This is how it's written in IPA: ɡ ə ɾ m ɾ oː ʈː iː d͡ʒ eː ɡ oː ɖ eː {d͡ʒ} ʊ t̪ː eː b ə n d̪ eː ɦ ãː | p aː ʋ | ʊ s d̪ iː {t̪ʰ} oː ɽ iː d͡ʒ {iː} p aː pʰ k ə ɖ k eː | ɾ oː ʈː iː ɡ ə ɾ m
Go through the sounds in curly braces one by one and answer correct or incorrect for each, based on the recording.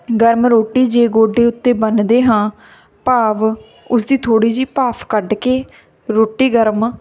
incorrect: none, correct, correct

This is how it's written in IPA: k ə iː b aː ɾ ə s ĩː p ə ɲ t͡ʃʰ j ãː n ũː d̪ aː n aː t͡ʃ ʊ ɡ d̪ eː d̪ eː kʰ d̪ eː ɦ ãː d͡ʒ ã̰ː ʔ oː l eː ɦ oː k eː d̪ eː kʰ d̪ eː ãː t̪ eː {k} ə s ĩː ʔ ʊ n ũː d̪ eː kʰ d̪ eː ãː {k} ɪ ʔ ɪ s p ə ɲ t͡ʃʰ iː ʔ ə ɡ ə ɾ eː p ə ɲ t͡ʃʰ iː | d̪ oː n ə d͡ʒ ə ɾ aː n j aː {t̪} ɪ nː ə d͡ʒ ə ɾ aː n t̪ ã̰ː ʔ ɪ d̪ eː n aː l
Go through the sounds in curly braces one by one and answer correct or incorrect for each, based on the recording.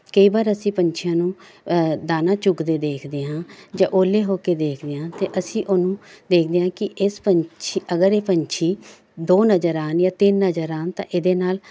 incorrect: ʔ, correct, correct

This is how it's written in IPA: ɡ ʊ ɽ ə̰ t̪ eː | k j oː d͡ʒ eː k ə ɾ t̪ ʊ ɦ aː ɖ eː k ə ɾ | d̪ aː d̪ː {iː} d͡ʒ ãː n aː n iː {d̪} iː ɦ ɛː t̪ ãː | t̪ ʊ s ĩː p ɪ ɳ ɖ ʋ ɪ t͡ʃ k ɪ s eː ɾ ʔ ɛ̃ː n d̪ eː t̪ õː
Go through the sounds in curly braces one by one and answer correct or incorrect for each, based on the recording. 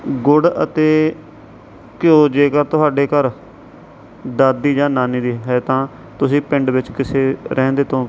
correct, correct

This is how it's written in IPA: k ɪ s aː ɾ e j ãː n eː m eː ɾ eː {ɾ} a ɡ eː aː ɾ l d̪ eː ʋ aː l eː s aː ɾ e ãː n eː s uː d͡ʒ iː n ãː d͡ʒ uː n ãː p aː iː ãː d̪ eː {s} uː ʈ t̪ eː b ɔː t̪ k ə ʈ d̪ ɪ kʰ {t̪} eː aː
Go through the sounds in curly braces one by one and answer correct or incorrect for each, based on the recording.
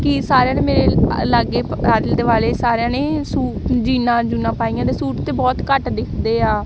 incorrect: l, correct, incorrect: d̪

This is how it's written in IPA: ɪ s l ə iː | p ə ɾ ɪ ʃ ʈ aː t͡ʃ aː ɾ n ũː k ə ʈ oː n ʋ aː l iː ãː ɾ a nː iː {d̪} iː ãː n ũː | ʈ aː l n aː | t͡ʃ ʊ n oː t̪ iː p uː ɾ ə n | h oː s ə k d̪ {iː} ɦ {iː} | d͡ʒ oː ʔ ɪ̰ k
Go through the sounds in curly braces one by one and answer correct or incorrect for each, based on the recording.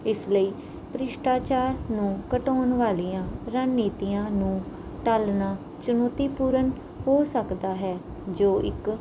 incorrect: t̪, incorrect: aː, incorrect: ɛː

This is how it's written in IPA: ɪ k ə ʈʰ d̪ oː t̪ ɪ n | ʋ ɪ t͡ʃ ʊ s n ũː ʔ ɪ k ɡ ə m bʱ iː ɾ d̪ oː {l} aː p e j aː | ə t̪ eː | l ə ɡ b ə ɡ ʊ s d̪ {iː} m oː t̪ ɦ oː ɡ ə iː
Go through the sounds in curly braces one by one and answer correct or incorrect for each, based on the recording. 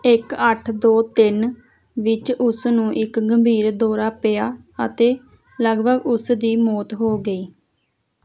incorrect: ɾ, correct

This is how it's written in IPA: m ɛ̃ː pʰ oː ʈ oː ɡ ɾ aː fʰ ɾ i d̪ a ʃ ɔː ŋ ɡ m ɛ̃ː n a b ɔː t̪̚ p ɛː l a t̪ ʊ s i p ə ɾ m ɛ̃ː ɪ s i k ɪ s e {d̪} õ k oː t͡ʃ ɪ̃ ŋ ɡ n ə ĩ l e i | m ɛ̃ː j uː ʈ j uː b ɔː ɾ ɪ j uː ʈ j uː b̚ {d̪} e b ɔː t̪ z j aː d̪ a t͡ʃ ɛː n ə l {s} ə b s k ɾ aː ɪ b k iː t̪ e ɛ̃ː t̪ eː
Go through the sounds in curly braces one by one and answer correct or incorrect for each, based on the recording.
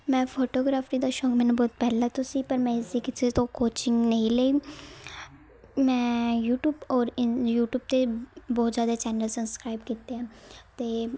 incorrect: t̪, incorrect: t̪, correct

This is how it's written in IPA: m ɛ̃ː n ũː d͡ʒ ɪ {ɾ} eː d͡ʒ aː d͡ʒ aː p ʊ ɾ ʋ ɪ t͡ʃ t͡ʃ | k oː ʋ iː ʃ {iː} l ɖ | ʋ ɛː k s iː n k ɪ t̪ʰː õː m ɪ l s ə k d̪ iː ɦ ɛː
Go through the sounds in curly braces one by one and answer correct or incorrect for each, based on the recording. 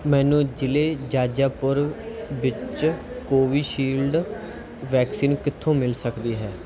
incorrect: l, correct

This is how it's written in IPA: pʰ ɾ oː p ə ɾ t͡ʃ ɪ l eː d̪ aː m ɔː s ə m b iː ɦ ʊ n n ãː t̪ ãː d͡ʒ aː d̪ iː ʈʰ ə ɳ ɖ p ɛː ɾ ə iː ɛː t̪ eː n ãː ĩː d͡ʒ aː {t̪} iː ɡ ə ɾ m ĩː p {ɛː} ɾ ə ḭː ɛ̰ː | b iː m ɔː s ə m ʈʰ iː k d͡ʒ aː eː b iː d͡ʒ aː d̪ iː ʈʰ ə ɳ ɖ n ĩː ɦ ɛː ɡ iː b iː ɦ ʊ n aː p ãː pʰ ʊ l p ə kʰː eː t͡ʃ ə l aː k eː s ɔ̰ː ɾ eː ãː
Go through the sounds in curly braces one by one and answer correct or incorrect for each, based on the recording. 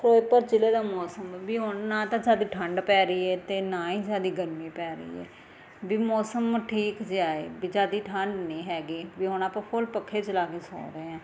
incorrect: d̪, correct

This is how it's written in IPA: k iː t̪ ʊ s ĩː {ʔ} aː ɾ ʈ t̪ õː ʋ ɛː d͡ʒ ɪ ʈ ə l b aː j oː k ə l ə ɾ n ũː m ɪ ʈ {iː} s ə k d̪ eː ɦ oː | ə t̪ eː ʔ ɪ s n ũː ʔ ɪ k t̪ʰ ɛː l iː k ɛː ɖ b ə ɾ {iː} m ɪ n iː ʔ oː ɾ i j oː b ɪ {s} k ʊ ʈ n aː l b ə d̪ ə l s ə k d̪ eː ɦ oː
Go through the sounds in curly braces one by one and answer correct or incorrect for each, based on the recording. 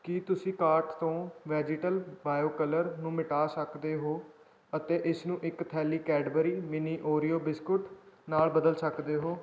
incorrect: k, incorrect: aː, correct, correct

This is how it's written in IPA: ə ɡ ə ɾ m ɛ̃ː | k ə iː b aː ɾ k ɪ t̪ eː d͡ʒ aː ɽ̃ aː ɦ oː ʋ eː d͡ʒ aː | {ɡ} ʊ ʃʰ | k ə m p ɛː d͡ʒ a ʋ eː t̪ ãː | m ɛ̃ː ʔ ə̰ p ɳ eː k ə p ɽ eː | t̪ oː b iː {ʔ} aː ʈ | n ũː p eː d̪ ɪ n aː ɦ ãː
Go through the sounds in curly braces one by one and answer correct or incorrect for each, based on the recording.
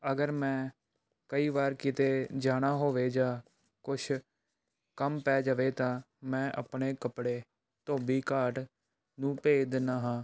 incorrect: k, incorrect: k

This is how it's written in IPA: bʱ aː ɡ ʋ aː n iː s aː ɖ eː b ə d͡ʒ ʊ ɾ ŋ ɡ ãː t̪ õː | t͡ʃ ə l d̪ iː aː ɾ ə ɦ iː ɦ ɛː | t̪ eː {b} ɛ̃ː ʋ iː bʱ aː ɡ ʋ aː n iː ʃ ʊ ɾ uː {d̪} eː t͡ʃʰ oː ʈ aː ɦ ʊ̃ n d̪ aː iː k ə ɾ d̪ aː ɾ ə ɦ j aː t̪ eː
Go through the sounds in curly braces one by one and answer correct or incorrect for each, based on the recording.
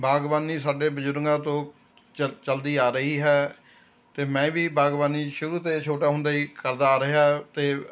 incorrect: m, incorrect: t̪

